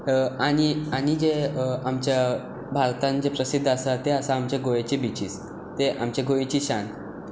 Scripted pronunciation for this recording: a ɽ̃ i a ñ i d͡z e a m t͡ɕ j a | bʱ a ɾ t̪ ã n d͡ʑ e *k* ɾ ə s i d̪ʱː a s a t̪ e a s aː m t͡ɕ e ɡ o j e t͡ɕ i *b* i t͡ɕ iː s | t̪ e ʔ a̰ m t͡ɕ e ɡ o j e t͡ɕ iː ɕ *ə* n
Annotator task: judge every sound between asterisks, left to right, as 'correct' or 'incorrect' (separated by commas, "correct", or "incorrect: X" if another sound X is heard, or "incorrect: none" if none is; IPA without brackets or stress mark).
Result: incorrect: p, correct, incorrect: a